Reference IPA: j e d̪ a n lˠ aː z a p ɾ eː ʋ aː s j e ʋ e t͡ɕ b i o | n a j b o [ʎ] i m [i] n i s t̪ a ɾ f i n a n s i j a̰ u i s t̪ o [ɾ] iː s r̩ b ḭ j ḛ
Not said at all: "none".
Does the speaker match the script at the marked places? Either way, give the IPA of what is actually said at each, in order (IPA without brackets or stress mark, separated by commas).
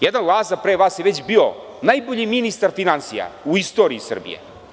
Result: ʎ, i, ɾ